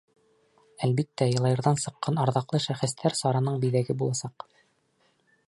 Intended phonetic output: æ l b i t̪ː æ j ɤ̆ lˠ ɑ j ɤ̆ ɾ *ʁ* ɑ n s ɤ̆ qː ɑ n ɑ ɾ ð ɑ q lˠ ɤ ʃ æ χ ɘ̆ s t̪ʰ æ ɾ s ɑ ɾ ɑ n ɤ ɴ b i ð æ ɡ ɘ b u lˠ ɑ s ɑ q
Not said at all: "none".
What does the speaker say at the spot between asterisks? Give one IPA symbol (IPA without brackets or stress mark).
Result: ð